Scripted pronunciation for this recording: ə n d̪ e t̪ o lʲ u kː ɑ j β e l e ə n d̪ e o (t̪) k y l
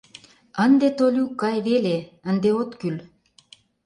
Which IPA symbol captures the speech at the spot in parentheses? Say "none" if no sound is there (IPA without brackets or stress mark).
t̪